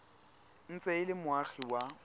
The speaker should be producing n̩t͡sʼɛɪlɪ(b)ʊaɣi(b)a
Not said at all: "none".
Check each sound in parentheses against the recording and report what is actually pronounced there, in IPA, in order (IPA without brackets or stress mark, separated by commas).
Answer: m, w